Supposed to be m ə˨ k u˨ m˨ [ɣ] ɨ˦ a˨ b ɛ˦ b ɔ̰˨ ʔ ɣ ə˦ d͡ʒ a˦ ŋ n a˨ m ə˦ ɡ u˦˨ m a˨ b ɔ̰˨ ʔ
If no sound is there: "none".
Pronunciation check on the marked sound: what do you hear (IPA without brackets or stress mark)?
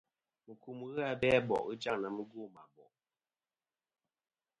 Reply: ɣ